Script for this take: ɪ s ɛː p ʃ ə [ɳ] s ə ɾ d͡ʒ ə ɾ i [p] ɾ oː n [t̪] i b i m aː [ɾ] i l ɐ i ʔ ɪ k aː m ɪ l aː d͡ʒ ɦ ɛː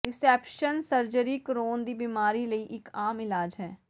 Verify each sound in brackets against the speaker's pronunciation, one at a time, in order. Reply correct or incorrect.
incorrect: n, incorrect: k, incorrect: d̪, correct

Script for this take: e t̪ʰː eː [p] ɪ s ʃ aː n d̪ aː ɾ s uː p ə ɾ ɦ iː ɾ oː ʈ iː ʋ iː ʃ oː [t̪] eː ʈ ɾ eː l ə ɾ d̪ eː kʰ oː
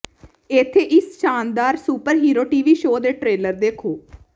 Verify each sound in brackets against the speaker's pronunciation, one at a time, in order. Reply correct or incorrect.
incorrect: ʔ, incorrect: d̪

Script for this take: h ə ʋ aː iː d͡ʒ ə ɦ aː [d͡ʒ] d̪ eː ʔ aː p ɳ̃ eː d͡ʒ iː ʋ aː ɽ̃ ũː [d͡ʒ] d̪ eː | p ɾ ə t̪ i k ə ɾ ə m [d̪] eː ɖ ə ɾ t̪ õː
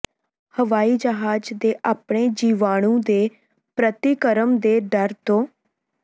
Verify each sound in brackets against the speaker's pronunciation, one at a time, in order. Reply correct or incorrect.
correct, incorrect: none, correct

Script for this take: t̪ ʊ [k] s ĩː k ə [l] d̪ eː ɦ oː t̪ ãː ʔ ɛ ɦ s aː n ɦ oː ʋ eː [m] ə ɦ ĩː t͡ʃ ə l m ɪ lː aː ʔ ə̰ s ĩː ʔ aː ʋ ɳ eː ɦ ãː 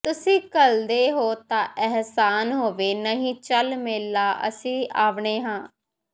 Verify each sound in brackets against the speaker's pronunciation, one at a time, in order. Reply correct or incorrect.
incorrect: none, correct, incorrect: n

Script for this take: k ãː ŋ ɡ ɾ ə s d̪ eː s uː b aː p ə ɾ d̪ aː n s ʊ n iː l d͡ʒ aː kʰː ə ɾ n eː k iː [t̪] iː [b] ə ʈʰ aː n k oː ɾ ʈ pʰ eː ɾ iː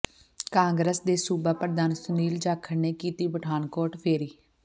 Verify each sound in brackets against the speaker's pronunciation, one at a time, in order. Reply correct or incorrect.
correct, correct

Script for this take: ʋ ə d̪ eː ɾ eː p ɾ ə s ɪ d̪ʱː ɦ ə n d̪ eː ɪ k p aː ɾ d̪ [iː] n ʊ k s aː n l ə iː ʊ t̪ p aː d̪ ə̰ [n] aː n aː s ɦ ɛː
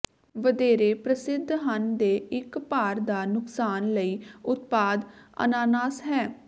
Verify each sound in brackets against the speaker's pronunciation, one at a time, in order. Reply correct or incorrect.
incorrect: aː, correct

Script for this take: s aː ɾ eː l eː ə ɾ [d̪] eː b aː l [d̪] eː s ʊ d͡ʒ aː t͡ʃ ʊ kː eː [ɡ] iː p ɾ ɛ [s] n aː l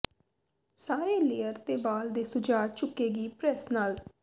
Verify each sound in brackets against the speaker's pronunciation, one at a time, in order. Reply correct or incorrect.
incorrect: t̪, correct, correct, correct

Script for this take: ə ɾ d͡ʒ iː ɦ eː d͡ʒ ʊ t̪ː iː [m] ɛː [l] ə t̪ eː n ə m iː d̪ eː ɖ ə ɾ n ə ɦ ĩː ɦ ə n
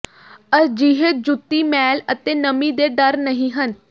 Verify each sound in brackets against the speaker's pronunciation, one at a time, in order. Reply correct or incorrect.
correct, correct

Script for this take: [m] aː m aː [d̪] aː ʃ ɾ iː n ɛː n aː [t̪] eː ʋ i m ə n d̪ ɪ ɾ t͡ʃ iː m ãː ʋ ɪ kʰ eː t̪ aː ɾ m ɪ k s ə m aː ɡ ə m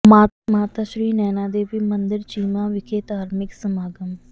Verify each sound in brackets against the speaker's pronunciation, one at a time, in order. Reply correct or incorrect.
correct, incorrect: t̪, incorrect: d̪

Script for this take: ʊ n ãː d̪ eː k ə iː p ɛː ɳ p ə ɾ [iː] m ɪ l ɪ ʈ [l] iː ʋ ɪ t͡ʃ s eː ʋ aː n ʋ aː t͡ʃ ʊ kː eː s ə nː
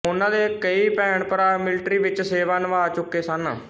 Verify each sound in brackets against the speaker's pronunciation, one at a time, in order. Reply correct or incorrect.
incorrect: aː, incorrect: ɾ

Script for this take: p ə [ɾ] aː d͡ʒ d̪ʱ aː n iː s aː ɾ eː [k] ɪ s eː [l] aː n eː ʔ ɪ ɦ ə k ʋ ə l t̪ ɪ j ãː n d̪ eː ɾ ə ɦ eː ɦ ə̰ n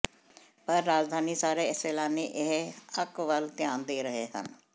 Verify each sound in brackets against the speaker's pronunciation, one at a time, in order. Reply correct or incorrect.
incorrect: ɾː, incorrect: none, correct

